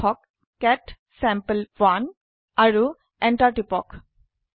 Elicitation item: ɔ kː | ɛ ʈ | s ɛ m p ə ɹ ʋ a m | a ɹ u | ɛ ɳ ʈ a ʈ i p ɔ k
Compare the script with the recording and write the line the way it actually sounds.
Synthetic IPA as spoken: ɔ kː | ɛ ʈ | s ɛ m p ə l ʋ a n | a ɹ u | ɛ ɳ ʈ a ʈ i p ɔ k